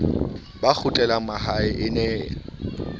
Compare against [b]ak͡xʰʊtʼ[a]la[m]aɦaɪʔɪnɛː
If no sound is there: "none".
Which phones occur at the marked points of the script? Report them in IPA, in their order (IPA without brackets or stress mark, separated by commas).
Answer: b, ɛ, m